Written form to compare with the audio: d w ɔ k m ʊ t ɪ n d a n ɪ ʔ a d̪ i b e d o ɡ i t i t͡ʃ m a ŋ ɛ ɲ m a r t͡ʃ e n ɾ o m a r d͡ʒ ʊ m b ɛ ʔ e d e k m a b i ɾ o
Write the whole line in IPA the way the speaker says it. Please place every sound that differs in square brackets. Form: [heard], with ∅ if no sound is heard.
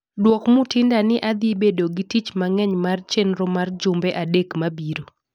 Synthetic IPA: d w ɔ k m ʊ t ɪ n d a n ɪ ʔ a d̪ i b e d o ɡ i t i t͡ʃ m a ŋ ɛ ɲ m a r t͡ʃ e n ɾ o m a r d͡ʒ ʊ m b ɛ ʔ [a] d e k m a b i ɾ o

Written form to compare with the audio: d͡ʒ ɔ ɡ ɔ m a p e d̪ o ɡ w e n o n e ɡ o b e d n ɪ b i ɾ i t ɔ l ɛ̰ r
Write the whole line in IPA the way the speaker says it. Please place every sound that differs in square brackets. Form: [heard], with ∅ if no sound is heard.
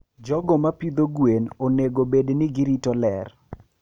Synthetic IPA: d͡ʒ ɔ ɡ ɔ m a p [i] d̪ o ɡ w e n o n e ɡ o b e d n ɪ [ɡ] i ɾ i t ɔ l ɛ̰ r

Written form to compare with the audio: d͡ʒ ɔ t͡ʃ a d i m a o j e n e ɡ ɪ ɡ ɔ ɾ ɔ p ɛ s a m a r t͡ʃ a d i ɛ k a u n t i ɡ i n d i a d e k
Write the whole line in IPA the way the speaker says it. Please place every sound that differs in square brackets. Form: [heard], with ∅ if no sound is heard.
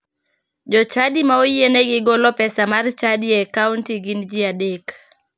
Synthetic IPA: d͡ʒ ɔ t͡ʃ a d i m a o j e n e ɡ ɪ ɡ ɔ [l] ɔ p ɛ s a m a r t͡ʃ a d i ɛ k a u n t i ɡ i n [d͡ʒ] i a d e k

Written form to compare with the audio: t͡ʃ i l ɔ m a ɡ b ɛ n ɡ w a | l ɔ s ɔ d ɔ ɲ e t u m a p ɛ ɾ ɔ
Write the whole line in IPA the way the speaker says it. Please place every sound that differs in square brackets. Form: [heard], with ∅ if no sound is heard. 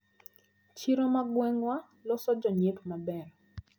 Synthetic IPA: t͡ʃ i [ɾ] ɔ m a ɡ [w] ɛ [ŋ] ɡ w a | l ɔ s ɔ [d͡ʒ] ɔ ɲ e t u m a [b] ɛ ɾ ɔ

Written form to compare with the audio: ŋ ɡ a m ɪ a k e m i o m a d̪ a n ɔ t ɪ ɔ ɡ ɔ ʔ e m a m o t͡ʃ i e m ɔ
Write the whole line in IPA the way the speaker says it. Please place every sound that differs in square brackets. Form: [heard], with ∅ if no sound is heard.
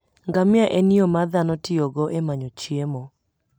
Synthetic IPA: ŋ ɡ a m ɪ a [ʔ] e [n] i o m a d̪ a n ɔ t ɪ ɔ ɡ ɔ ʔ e m a [ɲ] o t͡ʃ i e m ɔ

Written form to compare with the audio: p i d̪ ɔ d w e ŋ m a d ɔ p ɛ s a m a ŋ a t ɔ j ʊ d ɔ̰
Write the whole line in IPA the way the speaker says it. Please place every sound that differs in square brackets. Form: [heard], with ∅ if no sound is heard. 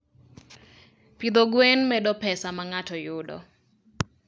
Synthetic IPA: p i d̪ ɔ [ɡ] w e [n] m [ɛ] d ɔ p ɛ s a m a ŋ a t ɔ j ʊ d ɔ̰

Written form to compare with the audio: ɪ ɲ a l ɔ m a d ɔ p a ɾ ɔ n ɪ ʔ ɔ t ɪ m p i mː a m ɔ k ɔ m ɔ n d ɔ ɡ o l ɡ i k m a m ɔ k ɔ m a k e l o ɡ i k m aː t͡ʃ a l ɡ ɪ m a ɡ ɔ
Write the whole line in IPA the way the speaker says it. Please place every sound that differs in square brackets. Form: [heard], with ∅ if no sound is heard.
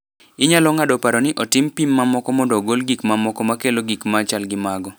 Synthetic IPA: ɪ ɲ a l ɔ [ŋ] a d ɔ p a ɾ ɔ n ɪ ʔ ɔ t ɪ m p i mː a m ɔ k ɔ m ɔ n d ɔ ɡ o l ɡ i k m a m ɔ k ɔ m a k e l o ɡ i k m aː t͡ʃ a l ɡ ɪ m a ɡ ɔ

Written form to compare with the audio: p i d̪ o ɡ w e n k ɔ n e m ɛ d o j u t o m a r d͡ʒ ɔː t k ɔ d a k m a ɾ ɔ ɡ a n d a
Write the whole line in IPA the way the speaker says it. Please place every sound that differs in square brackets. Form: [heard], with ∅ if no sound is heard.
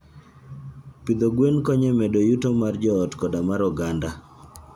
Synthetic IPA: p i d̪ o ɡ w e n k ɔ [ɲ] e m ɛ d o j u t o m a r d͡ʒ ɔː t k ɔ d a [∅] m a ɾ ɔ ɡ a n d a

